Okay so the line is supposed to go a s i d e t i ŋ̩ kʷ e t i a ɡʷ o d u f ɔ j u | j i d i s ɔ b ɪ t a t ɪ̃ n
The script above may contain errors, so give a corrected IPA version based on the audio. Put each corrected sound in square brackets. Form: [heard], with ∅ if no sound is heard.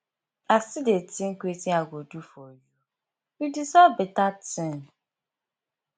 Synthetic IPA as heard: a s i d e t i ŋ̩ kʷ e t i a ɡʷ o d u f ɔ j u | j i d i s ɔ b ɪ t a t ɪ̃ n